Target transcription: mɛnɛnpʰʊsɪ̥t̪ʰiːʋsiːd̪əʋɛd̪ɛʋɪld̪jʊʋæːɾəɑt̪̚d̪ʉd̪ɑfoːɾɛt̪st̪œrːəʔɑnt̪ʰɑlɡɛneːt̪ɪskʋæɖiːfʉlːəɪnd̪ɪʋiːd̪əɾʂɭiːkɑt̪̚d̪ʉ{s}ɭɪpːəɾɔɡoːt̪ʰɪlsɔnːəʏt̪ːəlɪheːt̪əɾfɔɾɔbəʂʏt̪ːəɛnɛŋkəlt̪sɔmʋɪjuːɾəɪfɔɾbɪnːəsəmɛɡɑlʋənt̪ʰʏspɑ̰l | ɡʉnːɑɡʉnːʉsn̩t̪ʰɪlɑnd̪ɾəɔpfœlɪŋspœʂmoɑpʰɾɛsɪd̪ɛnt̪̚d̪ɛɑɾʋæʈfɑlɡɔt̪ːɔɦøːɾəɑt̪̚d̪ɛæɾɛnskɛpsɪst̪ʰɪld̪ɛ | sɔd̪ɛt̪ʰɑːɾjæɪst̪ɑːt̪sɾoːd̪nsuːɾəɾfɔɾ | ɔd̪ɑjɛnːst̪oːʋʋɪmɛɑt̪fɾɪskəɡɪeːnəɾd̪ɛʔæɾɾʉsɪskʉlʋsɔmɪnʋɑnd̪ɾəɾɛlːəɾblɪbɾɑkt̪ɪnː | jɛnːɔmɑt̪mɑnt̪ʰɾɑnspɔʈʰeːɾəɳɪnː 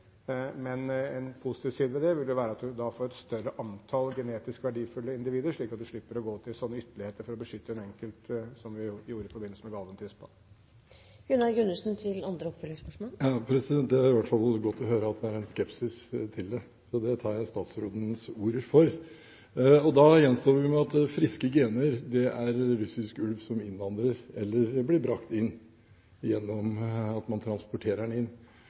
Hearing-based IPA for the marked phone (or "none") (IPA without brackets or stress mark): ʂ